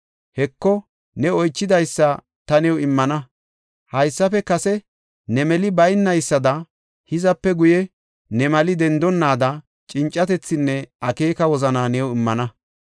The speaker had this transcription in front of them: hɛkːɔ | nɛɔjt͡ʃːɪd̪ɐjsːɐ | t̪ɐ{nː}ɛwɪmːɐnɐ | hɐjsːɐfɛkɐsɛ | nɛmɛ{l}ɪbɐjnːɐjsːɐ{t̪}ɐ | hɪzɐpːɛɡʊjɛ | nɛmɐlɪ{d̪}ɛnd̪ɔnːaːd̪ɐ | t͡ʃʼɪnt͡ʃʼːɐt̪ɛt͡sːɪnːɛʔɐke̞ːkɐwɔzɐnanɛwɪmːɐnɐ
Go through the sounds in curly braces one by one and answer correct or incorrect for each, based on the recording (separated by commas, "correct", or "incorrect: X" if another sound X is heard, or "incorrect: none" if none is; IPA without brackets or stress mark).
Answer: incorrect: n, correct, incorrect: d̪, correct